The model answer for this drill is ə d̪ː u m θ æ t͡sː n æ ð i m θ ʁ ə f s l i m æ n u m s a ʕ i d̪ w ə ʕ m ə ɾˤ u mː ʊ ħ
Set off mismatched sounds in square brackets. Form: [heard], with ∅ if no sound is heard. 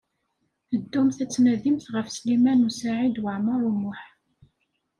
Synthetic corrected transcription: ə d̪ː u m θ æ t͡sː n æ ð i m θ ʁ ə f s l i m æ n u [∅] s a ʕ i d̪ w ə ʕ m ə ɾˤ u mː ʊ ħ